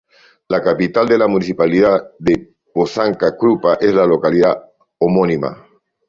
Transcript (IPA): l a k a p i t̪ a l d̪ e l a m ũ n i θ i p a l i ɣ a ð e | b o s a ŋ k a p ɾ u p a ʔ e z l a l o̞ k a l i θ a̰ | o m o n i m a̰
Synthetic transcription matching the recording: l a k a p i t̪ a l d̪ e l a m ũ n i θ i p a l i ð a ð e | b o s a ŋ k a k ɾ u p a ʔ e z l a l o̞ k a l i ð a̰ | o m o n i m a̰